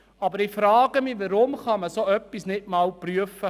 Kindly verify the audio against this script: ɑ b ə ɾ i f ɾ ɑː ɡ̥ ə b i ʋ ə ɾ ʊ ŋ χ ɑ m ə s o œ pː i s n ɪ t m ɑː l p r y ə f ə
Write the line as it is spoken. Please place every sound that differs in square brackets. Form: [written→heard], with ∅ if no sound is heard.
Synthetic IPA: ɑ b ə ɾ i f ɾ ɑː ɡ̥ ə [b→m] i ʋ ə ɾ ʊ [ŋ→m] χ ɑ m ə s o œ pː i s n ɪ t m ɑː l p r y ə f ə